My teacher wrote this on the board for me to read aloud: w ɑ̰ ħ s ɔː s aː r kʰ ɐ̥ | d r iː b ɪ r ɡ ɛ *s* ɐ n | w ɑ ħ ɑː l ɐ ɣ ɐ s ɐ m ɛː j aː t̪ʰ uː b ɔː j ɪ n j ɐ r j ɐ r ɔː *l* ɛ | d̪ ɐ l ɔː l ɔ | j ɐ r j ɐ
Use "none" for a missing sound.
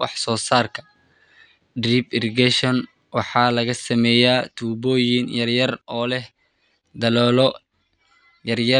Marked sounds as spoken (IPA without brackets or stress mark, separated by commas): ʃ, l